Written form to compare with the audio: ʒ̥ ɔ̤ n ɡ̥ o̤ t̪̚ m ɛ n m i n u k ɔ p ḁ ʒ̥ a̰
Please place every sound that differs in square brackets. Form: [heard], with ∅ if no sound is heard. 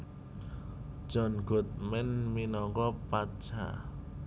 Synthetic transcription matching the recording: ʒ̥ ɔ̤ n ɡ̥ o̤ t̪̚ m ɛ n m i n [ɔ] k ɔ p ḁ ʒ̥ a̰